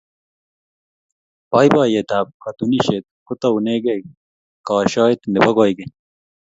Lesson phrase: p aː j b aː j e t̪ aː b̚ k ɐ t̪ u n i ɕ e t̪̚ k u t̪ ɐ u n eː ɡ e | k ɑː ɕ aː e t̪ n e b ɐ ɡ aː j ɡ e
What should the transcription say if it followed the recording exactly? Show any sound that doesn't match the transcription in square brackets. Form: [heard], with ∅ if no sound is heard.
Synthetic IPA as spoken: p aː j b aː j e t̪ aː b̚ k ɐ t̪ u n i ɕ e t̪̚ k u t̪ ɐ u n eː ɡ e | k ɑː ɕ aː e t̪ n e b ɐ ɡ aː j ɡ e

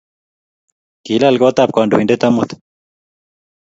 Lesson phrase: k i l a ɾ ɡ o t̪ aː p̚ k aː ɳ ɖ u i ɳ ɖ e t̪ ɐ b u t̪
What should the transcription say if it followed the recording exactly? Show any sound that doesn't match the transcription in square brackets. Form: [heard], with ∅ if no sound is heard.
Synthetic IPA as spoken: k i l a [l] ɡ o t̪ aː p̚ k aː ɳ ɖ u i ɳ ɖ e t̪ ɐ [m] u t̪

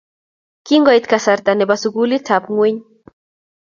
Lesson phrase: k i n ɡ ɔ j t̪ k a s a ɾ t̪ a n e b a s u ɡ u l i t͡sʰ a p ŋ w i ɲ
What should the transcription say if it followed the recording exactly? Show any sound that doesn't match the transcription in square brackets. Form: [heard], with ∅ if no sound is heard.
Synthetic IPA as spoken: k i [ŋ] ɡ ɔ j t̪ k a s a ɾ t̪ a n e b a s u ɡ u l i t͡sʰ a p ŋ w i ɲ

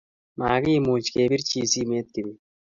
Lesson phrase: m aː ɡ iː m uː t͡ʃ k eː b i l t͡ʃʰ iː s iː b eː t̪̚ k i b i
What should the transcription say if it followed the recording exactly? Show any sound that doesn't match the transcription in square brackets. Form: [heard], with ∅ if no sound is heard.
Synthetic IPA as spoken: m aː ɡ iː m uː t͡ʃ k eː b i [ɾ] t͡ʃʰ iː s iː [m] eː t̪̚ k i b i

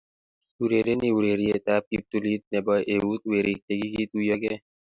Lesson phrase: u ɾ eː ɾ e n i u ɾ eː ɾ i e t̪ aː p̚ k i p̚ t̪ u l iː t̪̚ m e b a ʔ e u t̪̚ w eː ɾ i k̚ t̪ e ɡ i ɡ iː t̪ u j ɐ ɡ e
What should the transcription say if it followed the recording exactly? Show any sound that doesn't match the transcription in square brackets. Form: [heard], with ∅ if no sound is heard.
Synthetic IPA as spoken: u ɾ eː ɾ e n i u ɾ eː ɾ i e t̪ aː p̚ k i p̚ t̪ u l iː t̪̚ [n] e b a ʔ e u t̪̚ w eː ɾ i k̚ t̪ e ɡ i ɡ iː t̪ u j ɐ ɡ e

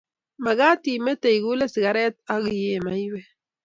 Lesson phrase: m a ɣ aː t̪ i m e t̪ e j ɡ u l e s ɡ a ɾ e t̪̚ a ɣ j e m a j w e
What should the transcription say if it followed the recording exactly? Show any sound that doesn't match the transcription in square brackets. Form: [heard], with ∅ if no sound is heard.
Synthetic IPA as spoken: m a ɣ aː t̪ i m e t̪ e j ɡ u l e s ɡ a ɾ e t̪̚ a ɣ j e m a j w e

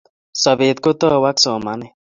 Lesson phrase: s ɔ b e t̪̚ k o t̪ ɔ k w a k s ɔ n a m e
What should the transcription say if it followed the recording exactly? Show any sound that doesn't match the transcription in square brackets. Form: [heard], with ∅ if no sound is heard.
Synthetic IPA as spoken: s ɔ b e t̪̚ k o t̪ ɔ [∅] w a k s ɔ [m] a [n] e

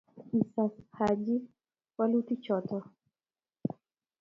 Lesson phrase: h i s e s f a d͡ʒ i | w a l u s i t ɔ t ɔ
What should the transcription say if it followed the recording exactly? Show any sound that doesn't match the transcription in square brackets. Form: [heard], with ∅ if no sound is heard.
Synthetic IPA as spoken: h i s [a] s [h] a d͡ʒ i | w a l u [t] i [t͡ʃ] ɔ t ɔ

